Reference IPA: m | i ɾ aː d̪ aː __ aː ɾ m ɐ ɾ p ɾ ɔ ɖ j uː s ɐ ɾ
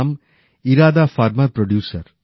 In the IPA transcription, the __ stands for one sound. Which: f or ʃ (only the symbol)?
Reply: f